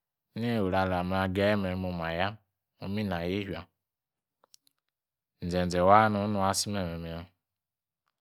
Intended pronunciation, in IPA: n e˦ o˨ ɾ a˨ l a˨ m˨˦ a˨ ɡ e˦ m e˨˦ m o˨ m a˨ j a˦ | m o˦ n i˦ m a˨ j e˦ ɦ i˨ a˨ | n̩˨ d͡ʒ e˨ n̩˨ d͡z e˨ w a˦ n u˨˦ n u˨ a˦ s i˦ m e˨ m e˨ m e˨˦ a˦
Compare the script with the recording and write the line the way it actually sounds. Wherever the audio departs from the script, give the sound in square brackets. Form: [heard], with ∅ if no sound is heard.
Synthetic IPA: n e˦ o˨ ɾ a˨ l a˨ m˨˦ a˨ ɡ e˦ m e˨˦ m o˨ m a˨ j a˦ | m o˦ [m] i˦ [n] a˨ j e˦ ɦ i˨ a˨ | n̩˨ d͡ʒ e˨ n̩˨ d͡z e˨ w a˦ n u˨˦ n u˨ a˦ s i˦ m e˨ m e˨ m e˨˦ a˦